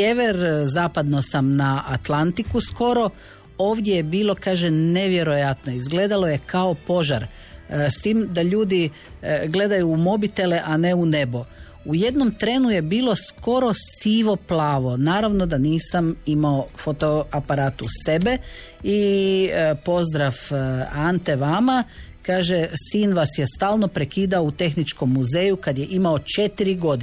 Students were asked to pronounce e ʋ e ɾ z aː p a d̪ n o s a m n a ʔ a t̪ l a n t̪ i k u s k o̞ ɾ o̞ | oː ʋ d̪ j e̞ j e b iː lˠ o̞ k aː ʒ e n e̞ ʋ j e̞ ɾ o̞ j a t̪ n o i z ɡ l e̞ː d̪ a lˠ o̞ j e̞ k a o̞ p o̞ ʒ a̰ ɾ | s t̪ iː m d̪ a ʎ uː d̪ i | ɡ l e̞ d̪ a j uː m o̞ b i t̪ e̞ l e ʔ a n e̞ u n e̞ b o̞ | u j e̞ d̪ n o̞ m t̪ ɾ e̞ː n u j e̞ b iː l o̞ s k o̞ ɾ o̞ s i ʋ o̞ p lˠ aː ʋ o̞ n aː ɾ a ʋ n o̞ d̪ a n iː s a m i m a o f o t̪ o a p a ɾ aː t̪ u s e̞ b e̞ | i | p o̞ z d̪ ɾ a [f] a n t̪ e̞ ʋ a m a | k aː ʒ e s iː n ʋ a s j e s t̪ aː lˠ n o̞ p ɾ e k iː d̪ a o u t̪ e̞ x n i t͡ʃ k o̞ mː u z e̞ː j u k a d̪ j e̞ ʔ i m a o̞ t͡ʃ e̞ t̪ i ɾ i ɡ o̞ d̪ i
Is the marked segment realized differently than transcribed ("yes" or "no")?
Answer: no